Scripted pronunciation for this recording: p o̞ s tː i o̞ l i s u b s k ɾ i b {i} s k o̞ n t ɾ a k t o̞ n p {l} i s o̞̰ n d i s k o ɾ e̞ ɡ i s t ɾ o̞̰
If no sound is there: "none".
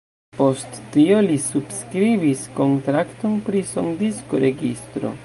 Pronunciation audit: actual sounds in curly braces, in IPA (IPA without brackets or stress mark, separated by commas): i, ɾ